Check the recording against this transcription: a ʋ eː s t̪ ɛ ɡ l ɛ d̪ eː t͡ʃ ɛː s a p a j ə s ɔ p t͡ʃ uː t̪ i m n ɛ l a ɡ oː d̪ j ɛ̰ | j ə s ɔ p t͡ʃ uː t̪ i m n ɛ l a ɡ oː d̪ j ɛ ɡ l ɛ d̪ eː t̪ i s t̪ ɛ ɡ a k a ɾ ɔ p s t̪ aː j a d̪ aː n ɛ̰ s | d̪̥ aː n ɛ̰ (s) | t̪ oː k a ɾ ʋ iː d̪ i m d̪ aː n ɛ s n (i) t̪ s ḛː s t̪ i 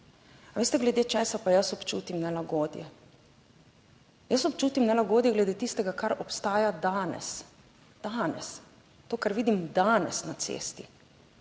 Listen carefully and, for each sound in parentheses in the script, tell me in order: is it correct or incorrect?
correct, incorrect: a

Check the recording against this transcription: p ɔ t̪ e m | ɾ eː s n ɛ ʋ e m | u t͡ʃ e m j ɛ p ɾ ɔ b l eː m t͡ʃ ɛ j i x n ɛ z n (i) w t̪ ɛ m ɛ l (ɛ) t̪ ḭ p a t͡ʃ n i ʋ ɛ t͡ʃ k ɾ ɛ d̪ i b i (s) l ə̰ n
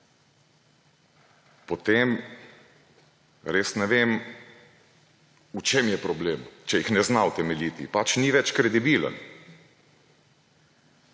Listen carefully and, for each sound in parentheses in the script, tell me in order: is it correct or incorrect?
incorrect: a, incorrect: i, incorrect: none

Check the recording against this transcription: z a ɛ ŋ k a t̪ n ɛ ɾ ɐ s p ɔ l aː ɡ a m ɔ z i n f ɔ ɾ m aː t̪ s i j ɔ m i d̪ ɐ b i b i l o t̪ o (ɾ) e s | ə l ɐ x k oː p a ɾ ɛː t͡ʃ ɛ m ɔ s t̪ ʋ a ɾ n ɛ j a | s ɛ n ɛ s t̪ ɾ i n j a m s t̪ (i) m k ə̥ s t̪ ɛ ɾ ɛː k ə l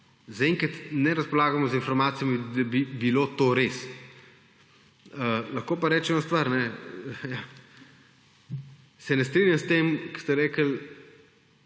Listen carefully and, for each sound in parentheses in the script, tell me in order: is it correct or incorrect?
correct, incorrect: e

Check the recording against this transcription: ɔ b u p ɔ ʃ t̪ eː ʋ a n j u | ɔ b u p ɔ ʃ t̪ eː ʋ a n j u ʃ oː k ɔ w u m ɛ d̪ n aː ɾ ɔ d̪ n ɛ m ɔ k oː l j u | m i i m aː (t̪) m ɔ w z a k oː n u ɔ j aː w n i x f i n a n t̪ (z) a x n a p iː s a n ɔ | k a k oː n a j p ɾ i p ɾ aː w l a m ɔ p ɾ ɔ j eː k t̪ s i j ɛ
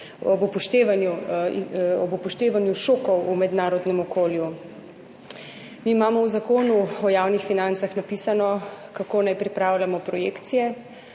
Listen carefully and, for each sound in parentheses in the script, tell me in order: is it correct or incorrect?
incorrect: none, incorrect: s

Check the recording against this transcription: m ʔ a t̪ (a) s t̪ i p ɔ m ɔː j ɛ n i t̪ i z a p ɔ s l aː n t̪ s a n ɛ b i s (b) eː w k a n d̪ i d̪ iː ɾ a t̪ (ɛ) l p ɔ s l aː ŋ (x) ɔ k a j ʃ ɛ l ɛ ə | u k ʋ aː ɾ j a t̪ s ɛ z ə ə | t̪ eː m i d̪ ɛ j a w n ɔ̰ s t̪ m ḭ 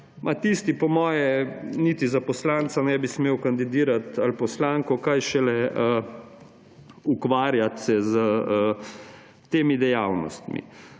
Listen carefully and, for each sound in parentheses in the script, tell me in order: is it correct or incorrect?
incorrect: i, incorrect: m, incorrect: a, incorrect: k

